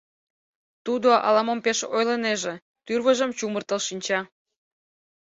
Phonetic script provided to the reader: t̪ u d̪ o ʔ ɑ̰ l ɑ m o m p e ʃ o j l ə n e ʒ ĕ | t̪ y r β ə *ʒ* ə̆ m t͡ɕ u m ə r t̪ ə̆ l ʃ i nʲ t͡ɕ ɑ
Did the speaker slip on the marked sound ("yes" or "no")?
no